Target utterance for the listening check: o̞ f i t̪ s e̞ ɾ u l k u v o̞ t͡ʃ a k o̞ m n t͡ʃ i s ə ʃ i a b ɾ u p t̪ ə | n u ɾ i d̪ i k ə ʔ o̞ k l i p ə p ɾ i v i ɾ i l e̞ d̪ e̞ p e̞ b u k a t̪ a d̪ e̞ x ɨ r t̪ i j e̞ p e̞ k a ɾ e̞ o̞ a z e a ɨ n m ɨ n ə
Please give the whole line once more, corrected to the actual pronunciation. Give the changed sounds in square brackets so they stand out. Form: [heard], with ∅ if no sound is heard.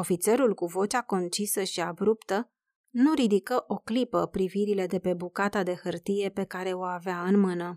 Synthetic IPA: o̞ f i t̪ s e̞ ɾ u l k u v o̞ t͡ʃ a k o̞ [∅] n t͡ʃ i s ə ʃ i a b ɾ u p t̪ ə | n u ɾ i d̪ i k ə ʔ o̞ k l i p ə p ɾ i v i ɾ i l e̞ d̪ e̞ p e̞ b u k a t̪ a d̪ e̞ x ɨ r t̪ i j e̞ p e̞ k a ɾ e̞ o̞ a [v] e a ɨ n m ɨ n ə